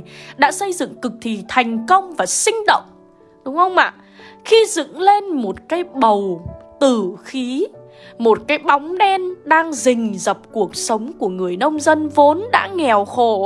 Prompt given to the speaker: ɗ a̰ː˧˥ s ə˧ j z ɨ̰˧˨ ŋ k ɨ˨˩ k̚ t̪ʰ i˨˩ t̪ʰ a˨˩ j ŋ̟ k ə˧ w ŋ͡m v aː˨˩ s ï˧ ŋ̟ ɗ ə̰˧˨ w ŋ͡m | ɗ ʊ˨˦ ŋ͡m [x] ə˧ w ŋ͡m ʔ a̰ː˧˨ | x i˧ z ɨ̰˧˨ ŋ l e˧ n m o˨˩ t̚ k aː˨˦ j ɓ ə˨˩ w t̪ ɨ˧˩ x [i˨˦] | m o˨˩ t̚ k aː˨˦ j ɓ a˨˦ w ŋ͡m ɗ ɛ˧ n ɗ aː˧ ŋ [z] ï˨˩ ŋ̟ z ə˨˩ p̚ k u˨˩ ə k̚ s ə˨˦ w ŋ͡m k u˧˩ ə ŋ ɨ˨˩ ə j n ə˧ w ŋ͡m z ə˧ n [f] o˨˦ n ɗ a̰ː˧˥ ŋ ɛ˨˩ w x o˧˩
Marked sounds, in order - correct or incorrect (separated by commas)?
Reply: incorrect, correct, correct, incorrect